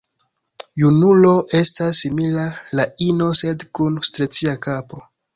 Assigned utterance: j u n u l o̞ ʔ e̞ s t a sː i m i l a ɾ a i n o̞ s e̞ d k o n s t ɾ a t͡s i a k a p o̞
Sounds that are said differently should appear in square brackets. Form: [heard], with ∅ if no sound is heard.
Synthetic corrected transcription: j u n u l o̞ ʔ e̞ s t a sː i m i l a [l] a i n o̞ s e̞ d k [u] n s t ɾ [e] t͡s i a k a p o̞